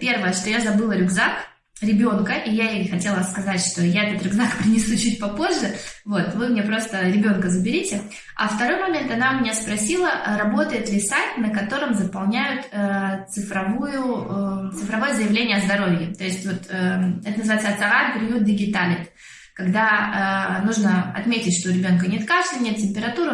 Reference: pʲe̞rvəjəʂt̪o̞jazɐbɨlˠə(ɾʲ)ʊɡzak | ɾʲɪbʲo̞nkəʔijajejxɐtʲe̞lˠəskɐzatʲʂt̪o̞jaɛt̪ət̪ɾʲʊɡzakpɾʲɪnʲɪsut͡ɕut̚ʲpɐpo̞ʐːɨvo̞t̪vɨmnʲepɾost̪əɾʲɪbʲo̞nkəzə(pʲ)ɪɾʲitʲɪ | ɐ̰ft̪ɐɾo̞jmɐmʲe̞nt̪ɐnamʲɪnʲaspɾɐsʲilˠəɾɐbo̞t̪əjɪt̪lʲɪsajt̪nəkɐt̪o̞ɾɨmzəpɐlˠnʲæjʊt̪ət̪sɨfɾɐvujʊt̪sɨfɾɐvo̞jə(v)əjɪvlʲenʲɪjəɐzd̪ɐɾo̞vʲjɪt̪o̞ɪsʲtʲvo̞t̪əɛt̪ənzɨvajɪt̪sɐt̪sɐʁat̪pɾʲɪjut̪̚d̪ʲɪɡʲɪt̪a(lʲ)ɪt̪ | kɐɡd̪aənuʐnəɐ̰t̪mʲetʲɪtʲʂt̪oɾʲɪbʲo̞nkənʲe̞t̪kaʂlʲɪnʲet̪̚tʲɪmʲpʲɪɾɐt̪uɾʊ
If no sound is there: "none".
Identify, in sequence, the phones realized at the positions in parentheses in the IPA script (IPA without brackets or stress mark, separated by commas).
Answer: ɾʲ, bʲ, z, lʲ